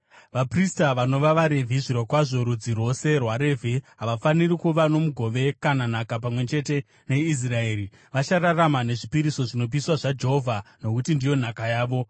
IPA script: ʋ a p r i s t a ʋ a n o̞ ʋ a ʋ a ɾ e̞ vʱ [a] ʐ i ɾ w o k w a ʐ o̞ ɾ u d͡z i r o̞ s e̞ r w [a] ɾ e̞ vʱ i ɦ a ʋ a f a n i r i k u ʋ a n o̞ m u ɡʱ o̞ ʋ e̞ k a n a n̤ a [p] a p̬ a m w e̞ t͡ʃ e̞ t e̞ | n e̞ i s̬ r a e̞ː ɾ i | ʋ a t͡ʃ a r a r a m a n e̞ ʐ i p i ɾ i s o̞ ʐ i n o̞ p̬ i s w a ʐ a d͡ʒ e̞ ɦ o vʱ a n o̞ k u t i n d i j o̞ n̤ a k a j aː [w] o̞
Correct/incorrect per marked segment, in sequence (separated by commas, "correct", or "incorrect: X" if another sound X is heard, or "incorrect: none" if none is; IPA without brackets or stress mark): incorrect: i, correct, incorrect: k, incorrect: ʋ